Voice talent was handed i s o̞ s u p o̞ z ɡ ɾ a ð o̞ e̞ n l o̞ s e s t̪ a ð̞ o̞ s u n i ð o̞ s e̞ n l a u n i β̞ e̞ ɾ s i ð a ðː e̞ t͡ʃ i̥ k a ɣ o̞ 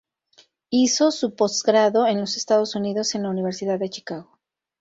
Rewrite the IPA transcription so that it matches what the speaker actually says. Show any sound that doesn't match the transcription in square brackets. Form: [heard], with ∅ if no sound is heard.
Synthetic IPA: i s o̞ s u p o̞ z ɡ ɾ a ð o̞ e̞ n l o̞ s e s t̪ a ð̞ o̞ s u n i ð o̞ s e̞ n l a u n i β̞ e̞ ɾ s i ð a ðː e̞ t͡ʃ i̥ k a ɣ o̞